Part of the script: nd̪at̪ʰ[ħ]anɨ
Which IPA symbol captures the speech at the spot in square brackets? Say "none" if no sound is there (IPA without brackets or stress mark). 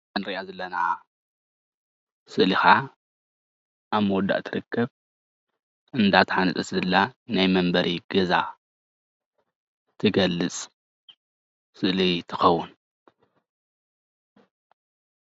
ħ